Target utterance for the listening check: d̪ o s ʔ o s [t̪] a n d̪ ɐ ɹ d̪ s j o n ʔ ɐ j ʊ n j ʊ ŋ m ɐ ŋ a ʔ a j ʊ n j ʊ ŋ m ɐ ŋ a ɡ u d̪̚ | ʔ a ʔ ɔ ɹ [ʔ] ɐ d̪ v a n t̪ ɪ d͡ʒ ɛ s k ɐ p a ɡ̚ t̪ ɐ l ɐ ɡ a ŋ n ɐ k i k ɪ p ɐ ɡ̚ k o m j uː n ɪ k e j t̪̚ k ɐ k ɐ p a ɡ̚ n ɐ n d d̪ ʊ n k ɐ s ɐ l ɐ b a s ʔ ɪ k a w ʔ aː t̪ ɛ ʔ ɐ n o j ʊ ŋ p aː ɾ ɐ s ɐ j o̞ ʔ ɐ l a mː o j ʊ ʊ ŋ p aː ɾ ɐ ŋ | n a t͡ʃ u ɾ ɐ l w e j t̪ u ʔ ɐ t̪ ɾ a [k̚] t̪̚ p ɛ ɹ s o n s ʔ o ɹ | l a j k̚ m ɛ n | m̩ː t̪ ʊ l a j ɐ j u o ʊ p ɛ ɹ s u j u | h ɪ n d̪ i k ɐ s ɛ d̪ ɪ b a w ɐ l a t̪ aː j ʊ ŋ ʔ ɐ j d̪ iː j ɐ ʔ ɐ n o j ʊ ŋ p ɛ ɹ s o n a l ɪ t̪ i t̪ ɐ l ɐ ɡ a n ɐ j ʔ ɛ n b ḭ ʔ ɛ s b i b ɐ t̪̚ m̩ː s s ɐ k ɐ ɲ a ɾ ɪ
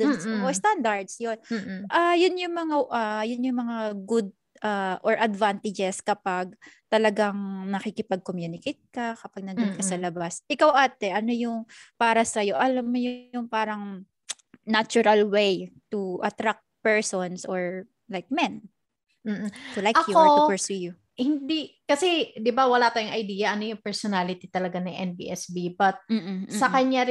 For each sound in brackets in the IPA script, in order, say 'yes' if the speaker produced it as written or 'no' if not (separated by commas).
yes, yes, yes